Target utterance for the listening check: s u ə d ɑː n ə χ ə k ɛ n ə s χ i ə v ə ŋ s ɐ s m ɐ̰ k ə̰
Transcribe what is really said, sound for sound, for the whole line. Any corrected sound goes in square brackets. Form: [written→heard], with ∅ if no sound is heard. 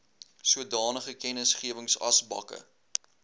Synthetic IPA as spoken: s u ə d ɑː n ə χ ə k ɛ n ə s χ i ə v ə ŋ s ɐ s [m→b] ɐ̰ k ə̰